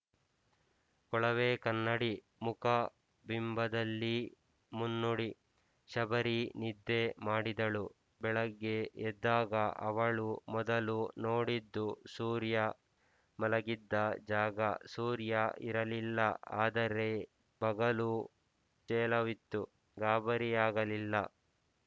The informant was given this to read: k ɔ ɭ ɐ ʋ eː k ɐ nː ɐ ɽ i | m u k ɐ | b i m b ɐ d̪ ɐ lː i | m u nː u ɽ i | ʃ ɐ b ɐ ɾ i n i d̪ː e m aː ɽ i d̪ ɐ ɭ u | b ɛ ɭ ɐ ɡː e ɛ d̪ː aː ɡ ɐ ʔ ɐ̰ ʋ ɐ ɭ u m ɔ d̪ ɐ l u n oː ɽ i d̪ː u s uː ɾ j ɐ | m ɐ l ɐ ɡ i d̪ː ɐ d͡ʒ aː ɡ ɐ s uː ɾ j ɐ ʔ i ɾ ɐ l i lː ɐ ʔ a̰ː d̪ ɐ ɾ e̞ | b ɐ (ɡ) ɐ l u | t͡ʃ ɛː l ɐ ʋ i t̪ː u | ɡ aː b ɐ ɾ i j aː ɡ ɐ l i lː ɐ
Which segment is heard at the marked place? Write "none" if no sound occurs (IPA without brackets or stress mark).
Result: ɡ